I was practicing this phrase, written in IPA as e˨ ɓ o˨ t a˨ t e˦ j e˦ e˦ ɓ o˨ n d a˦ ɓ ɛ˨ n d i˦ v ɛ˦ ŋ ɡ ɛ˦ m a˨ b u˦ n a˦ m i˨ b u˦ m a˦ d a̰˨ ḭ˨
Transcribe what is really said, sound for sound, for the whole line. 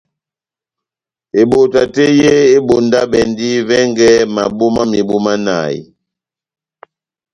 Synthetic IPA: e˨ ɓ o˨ t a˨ t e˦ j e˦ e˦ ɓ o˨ n d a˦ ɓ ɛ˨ n d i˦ v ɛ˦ ŋ ɡ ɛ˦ m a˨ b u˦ m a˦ m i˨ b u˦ m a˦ n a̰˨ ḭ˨